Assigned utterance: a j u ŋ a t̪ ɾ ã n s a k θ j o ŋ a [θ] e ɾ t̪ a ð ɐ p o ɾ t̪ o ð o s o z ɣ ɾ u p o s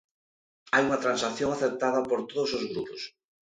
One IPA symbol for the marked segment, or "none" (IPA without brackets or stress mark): θ